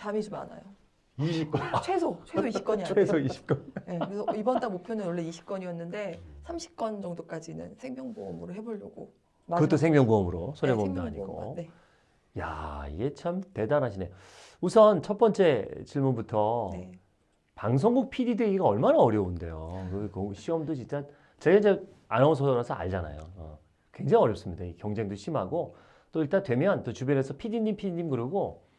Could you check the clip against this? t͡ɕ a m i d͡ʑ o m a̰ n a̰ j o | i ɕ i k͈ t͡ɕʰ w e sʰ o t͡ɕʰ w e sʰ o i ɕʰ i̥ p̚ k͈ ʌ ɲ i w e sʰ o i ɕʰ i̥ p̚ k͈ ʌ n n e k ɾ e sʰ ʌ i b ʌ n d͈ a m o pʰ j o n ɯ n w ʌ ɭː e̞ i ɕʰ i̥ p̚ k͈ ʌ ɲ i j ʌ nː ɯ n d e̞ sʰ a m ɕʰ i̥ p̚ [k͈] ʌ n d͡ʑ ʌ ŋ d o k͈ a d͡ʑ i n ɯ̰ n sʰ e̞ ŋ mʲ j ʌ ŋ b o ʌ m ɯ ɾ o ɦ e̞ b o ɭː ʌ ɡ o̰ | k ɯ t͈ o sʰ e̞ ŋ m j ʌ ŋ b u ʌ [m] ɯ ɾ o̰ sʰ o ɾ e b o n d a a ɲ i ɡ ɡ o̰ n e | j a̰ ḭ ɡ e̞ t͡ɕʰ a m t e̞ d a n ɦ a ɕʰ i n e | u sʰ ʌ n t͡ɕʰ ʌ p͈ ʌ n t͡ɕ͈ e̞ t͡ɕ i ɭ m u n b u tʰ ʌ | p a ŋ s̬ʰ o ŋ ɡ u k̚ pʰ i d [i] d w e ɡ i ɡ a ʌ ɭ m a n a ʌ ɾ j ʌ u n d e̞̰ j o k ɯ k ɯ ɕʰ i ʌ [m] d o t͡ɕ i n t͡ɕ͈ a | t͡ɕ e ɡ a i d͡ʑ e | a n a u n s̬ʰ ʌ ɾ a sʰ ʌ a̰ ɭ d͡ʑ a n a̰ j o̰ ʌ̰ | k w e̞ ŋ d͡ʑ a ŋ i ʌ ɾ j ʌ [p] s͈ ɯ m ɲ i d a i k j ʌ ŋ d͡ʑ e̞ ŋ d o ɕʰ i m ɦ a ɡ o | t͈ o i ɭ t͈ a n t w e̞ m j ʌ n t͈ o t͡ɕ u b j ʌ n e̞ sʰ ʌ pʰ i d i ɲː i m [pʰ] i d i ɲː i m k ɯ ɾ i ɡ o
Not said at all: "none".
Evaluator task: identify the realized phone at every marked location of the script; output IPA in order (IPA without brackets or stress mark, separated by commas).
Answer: k͈, m, i, m, p, pʰ